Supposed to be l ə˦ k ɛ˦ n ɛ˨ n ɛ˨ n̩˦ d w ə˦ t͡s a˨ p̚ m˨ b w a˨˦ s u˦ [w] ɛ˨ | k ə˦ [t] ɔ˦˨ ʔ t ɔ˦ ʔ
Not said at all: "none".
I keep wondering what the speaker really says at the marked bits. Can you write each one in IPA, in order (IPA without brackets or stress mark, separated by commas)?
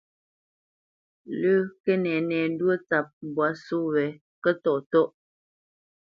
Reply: w, t